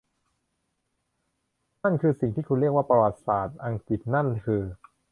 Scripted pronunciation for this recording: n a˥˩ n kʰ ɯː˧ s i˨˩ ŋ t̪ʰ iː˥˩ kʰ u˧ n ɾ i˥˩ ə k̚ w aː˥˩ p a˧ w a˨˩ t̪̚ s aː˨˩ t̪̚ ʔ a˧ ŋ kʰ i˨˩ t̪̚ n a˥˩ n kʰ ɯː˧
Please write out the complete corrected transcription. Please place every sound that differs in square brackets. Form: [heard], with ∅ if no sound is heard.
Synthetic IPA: n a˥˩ n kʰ ɯː˧ s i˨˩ ŋ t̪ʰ iː˥˩ kʰ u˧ n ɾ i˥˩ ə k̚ w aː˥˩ p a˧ w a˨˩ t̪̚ s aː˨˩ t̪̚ ʔ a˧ ŋ [k] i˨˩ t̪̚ n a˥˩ n kʰ ɯː˧